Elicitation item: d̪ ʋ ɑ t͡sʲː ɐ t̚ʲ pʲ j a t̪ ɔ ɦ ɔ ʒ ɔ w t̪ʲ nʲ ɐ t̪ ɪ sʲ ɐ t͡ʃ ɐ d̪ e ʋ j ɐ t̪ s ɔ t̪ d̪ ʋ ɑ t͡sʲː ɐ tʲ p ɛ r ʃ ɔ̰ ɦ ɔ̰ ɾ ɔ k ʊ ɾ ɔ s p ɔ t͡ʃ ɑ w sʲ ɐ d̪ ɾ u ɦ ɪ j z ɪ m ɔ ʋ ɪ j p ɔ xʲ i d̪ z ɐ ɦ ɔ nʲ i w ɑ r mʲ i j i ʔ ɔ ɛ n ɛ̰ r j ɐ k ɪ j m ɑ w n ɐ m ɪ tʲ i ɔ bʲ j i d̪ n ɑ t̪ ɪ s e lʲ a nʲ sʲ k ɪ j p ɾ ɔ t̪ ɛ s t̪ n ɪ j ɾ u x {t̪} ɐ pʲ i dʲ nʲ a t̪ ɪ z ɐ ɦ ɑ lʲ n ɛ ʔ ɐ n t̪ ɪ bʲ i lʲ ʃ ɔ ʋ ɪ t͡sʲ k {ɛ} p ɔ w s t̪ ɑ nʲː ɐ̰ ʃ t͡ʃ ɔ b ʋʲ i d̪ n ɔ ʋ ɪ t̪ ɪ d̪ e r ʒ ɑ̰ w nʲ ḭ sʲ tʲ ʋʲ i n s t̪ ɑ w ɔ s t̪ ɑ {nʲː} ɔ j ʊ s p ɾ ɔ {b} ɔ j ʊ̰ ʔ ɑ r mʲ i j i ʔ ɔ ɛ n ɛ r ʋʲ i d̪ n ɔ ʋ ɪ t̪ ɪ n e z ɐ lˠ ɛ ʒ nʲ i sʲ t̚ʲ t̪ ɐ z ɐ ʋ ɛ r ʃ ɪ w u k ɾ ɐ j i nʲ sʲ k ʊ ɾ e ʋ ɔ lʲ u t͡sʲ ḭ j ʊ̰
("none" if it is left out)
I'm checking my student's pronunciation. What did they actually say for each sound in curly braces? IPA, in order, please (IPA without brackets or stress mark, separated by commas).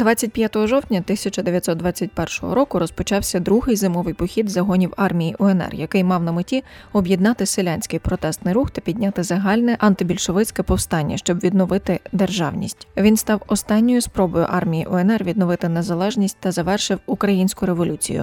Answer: t̪, ɛ, nʲː, b